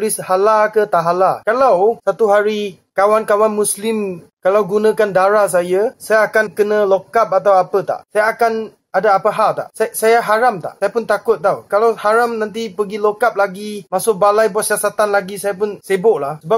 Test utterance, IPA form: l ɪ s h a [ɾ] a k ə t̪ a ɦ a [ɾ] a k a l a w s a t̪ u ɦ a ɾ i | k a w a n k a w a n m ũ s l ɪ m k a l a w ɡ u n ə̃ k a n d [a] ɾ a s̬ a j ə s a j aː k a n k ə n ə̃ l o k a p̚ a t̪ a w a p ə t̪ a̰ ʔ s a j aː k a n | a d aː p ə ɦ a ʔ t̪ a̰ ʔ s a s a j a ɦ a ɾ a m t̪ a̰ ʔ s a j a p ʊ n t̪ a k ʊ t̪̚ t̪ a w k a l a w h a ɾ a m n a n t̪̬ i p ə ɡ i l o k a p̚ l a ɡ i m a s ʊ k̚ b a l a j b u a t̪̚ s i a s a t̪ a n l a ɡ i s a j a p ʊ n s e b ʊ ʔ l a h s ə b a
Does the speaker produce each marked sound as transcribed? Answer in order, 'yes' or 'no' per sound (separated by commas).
no, no, yes